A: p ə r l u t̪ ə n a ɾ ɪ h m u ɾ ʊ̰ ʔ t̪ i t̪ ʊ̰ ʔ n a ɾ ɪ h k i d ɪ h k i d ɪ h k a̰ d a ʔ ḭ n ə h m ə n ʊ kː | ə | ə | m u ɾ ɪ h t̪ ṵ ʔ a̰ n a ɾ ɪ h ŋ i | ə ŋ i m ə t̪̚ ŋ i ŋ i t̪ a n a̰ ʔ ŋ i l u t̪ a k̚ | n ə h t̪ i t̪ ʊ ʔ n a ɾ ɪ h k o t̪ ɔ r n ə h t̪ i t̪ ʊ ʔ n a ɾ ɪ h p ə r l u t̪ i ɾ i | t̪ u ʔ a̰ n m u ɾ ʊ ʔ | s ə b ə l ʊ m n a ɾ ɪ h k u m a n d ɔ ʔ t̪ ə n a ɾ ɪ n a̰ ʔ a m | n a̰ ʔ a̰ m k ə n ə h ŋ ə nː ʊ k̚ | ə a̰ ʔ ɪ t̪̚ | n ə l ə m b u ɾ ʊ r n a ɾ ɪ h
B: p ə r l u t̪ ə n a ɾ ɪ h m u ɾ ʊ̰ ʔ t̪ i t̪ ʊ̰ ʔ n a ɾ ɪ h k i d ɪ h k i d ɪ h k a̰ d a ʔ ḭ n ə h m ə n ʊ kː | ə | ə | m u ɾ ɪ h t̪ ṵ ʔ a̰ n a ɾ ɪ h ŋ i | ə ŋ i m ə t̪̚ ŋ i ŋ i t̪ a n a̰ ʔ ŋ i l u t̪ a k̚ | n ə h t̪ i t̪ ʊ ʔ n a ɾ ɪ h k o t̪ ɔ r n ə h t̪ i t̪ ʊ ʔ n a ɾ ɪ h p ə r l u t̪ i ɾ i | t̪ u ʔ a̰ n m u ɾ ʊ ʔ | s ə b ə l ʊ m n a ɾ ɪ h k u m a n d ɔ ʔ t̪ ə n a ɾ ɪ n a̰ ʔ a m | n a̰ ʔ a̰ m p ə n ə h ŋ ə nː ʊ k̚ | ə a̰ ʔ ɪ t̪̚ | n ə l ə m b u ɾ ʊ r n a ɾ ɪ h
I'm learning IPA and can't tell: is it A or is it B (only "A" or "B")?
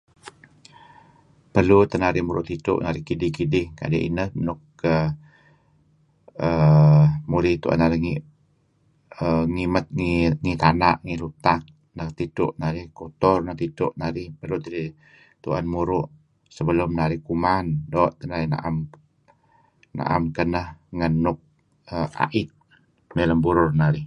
A